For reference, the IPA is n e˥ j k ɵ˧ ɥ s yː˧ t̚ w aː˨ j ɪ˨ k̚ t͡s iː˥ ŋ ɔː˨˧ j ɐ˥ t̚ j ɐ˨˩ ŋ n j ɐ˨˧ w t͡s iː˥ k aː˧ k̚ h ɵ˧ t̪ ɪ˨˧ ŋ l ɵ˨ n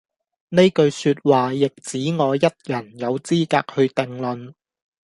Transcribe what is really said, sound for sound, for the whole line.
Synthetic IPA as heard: n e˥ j k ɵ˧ ɥ s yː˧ t̚ w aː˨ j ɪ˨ k̚ t͡s iː˨˥ ŋ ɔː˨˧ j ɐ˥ t̚ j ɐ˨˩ n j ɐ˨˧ w t͡s iː˥ k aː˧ k̚ h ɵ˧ t̪ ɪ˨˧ ŋ l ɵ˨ n